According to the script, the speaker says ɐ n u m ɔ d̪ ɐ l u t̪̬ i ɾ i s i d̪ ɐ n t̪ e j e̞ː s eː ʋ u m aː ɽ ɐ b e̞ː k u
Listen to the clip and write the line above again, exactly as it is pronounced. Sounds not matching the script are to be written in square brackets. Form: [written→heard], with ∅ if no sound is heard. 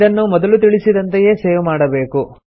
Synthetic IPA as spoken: ɐ [n→nː] u m ɔ d̪ ɐ l u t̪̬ i [ɾ→ɭ] i s i d̪ ɐ n t̪ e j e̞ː s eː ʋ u m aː ɽ ɐ b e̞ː k u

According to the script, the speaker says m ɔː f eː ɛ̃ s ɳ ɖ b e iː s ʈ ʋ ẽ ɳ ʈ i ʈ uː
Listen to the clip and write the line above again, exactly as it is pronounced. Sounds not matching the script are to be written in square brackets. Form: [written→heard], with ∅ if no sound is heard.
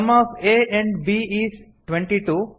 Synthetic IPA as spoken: m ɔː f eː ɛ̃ [s→∅] ɳ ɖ b [e→i] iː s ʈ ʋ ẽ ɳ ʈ i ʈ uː

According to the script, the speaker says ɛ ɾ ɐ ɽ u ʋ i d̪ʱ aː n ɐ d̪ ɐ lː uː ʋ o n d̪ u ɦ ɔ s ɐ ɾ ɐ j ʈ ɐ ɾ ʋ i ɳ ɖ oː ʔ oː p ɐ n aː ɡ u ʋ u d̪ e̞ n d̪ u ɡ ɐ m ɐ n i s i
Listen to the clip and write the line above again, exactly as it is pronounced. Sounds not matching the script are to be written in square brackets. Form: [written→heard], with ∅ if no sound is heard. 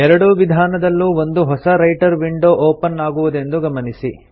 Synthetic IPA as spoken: ɛ ɾ ɐ ɽ u ʋ i d̪ʱ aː n ɐ d̪ ɐ lː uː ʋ o n d̪ u ɦ ɔ s ɐ ɾ ɐ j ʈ ɐ ɾ ʋ i ɳ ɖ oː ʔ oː p ɐ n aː ɡ u ʋ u d̪ e̞ n d̪ u ɡ ɐ m ɐ n i s i

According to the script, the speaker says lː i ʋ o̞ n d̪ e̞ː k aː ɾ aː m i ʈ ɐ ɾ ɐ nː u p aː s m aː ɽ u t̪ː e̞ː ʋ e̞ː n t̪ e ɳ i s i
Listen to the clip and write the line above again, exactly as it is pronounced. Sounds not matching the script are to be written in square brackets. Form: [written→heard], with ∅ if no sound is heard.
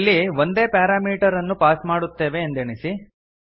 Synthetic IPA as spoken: lː i ʋ o̞ n d̪ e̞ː [k→p] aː ɾ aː m [i→iː] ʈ ɐ ɾ ɐ nː u p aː s m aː ɽ u t̪ː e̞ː ʋ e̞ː n [t̪→d̪] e ɳ i s i

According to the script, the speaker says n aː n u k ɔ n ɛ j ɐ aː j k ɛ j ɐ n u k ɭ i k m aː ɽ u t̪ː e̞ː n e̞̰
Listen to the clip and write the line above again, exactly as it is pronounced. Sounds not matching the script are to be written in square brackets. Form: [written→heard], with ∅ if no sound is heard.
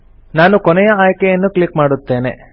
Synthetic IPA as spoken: n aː n u k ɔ n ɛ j ɐ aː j k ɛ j ɐ [n→nː] u k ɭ i k m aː ɽ u t̪ː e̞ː n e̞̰

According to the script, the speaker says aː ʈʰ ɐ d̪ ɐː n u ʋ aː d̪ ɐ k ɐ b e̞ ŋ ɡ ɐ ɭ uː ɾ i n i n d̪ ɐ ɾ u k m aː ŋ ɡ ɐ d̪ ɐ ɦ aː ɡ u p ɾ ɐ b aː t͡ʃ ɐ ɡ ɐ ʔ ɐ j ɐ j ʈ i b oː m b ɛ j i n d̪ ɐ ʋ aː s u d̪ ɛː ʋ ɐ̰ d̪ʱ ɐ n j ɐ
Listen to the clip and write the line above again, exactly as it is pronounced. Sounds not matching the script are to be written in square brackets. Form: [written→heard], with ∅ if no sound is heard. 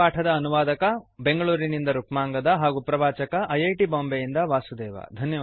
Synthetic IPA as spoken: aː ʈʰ ɐ d̪ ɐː n u ʋ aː d̪ ɐ k ɐ b e̞ ŋ ɡ ɐ ɭ uː ɾ i n i n d̪ ɐ ɾ u k m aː ŋ ɡ ɐ d̪ ɐ ɦ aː ɡ u p ɾ ɐ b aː t͡ʃ ɐ [ɡ→k] ɐ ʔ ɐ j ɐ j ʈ i b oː m b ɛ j i n d̪ ɐ ʋ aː s u d̪ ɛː ʋ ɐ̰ d̪ʱ ɐ n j ɐ

